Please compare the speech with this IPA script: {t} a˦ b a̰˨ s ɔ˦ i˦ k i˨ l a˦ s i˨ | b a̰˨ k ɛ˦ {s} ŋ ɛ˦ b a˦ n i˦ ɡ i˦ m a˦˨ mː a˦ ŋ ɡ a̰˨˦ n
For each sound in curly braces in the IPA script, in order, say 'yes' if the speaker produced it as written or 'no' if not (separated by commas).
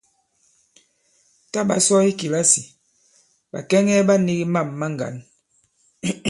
yes, no